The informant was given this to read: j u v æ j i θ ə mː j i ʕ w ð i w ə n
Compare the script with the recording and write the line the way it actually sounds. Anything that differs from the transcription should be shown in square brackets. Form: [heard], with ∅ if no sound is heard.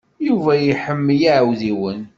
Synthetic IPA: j u v æ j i [ħ] ə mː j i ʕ w ð i w ə n